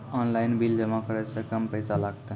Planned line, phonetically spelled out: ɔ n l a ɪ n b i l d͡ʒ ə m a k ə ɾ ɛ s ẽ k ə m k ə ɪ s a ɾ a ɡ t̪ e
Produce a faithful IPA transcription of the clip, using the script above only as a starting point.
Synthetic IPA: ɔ n l a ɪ n b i l d͡ʒ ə m a k ə ɾ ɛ s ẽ k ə m p ə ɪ s a l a ɡ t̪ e